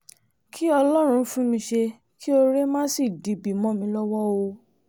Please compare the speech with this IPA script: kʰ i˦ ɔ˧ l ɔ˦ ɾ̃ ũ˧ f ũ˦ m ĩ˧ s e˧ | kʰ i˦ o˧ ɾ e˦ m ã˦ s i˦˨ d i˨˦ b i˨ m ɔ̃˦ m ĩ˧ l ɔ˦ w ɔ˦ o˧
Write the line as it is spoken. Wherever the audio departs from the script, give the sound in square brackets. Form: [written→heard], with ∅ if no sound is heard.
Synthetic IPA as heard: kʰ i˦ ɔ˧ l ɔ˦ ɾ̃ ũ˧ f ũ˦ m ĩ˧ [s→ʃ] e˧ | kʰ i˦ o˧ ɾ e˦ m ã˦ s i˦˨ d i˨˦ b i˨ m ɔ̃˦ m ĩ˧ l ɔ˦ w ɔ˦ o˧